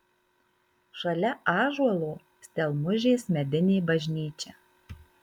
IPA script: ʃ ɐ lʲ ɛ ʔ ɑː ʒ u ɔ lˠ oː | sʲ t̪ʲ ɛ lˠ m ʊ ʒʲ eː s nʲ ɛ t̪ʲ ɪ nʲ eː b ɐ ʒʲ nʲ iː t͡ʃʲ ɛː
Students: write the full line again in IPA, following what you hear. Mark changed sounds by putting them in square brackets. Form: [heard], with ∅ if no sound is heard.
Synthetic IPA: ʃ ɐ lʲ ɛ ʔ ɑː ʒ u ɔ lˠ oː | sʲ t̪ʲ ɛ lˠ m ʊ ʒʲ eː s [mʲ] ɛ [d̪ʲ] ɪ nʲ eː b ɐ ʒʲ nʲ iː t͡ʃʲ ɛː